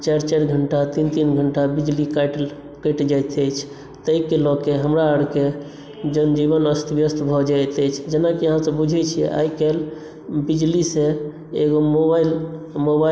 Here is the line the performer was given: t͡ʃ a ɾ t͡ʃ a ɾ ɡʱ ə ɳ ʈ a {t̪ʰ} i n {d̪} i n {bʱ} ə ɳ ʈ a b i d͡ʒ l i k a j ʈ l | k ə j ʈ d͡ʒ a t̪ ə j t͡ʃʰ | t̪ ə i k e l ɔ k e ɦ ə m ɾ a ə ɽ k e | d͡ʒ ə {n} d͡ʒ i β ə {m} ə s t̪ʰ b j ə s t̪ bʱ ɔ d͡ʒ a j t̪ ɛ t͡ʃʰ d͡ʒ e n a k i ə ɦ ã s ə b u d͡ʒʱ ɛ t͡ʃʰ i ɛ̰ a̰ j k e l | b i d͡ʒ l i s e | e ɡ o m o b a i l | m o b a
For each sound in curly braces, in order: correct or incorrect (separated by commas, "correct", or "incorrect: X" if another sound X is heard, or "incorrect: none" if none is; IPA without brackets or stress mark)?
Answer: incorrect: t̪, incorrect: t̪, incorrect: ɡʱ, correct, incorrect: n